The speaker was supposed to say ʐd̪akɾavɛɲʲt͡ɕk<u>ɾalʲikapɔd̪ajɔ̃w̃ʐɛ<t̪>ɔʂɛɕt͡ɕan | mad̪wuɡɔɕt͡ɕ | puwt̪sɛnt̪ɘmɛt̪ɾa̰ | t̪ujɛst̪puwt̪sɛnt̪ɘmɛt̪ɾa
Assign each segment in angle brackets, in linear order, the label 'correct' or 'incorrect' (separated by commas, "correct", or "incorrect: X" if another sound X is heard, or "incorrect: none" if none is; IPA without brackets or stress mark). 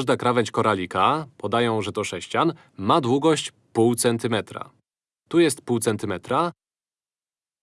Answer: incorrect: ɔ, correct